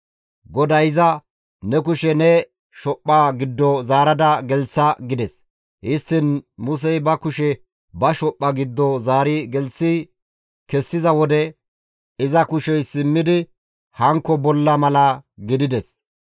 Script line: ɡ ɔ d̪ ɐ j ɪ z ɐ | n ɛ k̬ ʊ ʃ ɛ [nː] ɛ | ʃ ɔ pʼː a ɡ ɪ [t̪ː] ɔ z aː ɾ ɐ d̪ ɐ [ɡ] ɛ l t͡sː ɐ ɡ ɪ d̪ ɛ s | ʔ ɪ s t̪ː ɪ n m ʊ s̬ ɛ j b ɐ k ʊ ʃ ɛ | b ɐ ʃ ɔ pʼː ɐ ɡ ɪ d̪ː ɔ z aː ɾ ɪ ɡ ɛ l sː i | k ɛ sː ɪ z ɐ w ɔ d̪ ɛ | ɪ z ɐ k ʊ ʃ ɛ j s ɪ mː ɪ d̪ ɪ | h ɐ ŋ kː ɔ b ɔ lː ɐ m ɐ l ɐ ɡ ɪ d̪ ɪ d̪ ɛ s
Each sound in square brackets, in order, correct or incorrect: incorrect, incorrect, correct

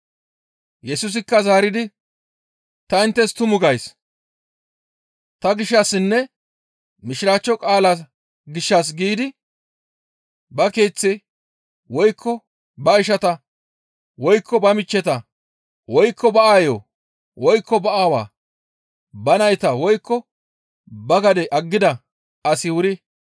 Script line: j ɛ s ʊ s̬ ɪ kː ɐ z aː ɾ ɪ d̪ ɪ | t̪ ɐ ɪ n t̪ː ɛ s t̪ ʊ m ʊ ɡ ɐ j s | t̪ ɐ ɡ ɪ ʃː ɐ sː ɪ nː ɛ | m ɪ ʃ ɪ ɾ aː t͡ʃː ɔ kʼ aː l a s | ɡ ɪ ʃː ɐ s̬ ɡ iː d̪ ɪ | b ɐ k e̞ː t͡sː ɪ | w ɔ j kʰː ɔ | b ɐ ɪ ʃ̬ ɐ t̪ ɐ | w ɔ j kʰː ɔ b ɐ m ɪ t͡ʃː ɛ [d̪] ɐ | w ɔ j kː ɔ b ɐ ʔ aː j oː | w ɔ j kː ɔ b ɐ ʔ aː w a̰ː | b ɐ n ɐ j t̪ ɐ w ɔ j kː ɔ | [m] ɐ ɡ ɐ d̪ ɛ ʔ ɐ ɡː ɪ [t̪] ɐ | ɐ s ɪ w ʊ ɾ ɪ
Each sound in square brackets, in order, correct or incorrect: incorrect, incorrect, incorrect

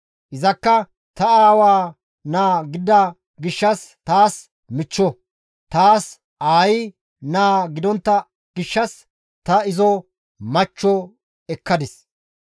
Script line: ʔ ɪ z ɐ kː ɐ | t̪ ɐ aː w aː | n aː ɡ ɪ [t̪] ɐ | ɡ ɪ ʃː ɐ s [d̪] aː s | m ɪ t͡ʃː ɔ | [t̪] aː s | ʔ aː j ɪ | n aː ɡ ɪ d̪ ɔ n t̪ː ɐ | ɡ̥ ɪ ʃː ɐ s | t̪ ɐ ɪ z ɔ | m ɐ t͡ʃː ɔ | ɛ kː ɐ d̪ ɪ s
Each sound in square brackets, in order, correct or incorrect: incorrect, incorrect, correct

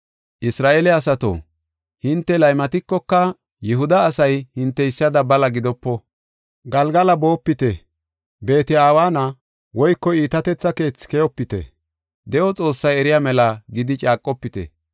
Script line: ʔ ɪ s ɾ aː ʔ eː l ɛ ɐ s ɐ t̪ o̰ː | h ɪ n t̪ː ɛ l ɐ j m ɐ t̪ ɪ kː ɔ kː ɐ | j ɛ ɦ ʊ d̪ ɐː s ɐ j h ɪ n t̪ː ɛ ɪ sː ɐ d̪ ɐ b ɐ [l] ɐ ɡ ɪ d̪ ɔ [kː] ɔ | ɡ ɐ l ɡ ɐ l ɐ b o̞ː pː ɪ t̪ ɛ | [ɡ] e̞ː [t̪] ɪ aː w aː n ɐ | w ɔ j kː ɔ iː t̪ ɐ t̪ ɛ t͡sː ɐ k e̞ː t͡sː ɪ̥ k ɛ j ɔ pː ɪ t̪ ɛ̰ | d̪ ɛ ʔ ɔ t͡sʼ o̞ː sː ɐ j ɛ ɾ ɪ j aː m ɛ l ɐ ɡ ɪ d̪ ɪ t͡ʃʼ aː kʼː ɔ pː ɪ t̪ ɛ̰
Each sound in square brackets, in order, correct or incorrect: correct, incorrect, incorrect, correct

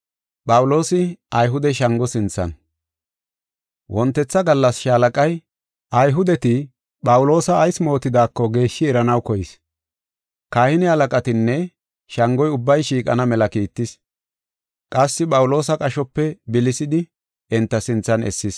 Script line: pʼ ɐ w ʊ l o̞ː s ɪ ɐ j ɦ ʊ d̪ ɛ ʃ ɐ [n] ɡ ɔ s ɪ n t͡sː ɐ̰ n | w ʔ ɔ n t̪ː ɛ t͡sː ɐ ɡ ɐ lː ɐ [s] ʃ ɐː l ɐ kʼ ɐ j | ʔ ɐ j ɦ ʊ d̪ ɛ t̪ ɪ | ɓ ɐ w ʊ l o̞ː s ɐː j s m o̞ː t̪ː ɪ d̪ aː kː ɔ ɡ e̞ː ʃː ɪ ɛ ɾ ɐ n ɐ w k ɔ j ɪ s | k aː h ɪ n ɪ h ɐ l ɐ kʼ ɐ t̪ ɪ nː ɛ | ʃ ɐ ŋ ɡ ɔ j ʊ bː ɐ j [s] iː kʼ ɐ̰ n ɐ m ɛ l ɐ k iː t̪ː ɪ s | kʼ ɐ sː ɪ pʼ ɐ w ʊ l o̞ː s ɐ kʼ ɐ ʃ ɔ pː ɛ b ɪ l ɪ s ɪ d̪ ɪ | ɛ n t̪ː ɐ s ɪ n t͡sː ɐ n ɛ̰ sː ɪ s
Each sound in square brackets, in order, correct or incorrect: incorrect, correct, incorrect

